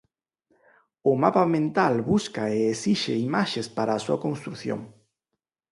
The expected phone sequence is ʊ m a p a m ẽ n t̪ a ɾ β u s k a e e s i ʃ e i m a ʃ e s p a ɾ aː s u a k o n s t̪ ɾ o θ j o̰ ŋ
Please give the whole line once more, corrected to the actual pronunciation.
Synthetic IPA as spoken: ʊ m a p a m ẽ n t̪ a l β u s k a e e s i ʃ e i m a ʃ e s p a ɾ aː s u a k o n s t̪ ɾ u θ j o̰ ŋ